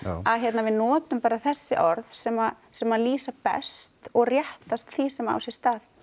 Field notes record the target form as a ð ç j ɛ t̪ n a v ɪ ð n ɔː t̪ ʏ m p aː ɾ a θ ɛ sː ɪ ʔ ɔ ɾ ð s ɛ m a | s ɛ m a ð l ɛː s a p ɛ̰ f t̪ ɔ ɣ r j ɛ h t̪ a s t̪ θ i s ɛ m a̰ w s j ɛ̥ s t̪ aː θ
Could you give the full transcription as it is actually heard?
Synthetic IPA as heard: a ð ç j ɛ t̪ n a v ɪ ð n ɔː t̪ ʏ m p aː ɾ a θ ɛ sː ɪ ʔ ɔ ɾ ð s ɛ m a | s ɛ m a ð l iː s a p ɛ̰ s t̪ ɔ ɣ r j ɛ h t̪ a s t̪ θ i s ɛ m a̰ w s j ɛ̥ s t̪ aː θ

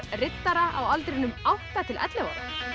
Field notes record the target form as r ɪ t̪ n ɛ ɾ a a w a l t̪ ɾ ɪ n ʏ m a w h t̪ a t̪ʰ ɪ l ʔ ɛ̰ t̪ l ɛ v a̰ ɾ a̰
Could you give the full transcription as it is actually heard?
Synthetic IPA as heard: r ɪ t̪ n a ɾ a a w a l t̪ ɾ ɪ n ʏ m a w h t̪ a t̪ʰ ɪ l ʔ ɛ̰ t̪ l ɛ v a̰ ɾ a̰

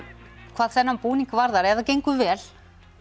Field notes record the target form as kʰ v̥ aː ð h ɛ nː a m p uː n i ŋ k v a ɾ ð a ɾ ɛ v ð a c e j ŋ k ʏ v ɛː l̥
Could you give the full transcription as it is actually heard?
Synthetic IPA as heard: kʰ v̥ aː ð θ ɛ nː a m p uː n i ŋ k v a ɾ ð a ɾ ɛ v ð a c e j ŋ k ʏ v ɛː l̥

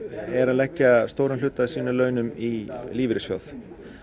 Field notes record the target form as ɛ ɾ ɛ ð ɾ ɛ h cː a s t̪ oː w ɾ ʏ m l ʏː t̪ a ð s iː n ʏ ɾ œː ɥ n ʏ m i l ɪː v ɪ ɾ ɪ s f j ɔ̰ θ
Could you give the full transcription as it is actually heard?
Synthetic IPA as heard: ɛ ɾ a ð l ɛ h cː a s t̪ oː w ɾ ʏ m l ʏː t̪ a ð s iː n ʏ l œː ɥ n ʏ m i l iː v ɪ ɾ ɪ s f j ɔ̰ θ

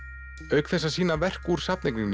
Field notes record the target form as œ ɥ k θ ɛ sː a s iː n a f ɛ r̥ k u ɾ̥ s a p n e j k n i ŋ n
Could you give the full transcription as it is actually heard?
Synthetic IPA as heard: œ ɥ k θ ɛ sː a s iː n a v ɛ r̥ k u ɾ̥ s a p n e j k n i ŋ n

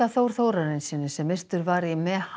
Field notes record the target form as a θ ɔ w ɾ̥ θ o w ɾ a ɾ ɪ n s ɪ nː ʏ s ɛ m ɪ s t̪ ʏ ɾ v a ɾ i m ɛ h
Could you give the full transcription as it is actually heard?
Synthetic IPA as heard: a θ o w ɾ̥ θ o w ɾ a ɾ ɪ n s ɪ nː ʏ s ɛ m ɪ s t̪ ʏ ɾ v a ɾ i m ɛ h

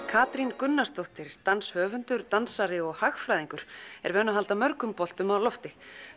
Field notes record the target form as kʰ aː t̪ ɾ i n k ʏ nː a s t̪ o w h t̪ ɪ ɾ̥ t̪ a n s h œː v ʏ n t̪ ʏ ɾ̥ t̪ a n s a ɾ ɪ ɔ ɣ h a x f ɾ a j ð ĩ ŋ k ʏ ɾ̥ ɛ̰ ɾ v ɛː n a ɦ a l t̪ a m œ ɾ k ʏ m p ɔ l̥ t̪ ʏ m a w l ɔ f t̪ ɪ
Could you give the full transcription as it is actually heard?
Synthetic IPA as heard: kʰ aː t̪ ɾ i n k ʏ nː a s t̪ o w h t̪ ɪ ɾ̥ t̪ a n s h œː v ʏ n t̪ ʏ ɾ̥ t̪ a n s a ɾ ɪ ɔ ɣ h a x f ɾ a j ð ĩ ŋ k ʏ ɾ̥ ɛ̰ ɾ v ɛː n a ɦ a l t̪ a m œ ɾ k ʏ m p ɔ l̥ t̪ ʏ m a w l ɔ f t̪ ɪ

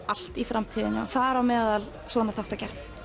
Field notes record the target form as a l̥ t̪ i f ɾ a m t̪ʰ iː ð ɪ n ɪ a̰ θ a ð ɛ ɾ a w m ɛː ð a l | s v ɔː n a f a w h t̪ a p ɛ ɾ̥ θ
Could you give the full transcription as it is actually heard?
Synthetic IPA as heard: a l̥ t̪ i f ɾ a m t̪ʰ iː ð ɪ n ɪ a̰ θ a ð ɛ ɾ a w m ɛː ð a l | s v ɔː n a θ a w h t̪ a c ɛ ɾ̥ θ

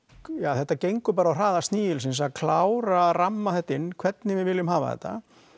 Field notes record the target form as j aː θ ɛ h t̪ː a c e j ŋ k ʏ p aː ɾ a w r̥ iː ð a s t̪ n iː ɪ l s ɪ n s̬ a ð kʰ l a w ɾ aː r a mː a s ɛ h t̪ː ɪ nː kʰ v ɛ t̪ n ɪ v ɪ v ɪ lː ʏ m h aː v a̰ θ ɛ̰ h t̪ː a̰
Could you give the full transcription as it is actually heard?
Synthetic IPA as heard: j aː θ ɛ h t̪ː a c e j ŋ k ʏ p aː ɾ a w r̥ aː ð a s t̪ n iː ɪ l s ɪ n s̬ a ð kʰ l a w ɾ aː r a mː a θ ɛ h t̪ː ɪ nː kʰ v ɛ t̪ n ɪ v ɪ v ɪ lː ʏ m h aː v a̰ θ ɛ̰ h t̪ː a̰

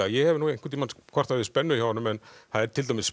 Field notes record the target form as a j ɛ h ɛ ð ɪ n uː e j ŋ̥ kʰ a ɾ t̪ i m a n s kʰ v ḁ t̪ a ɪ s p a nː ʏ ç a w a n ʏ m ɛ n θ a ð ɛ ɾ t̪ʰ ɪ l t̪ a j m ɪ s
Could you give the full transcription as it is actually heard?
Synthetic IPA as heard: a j ɛ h ɛ v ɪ n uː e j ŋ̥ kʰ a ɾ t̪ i m a n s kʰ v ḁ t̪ a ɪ s p ɛ nː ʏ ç a w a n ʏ m ɛ n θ a ð ɛ ɾ t̪ʰ ɪ l t̪ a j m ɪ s

